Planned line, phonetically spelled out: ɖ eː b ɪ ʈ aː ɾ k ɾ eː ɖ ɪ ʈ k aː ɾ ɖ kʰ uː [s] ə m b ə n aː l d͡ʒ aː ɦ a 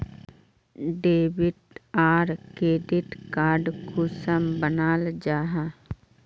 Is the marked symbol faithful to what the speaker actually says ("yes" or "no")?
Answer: yes